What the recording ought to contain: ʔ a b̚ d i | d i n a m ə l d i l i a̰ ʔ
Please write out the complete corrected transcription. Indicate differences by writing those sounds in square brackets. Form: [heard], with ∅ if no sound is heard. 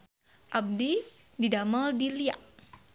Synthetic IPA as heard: ʔ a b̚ d i | d i [d] a m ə l d i l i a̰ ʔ

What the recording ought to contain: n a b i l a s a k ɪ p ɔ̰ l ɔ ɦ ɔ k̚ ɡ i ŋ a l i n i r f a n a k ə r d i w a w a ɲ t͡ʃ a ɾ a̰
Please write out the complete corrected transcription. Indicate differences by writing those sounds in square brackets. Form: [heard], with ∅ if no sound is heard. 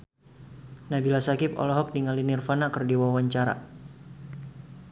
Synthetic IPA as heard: n a b i l a s a k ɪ p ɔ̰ l ɔ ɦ ɔ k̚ [d] i ŋ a l i n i r f a n a k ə r d i w a w a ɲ t͡ʃ a ɾ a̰

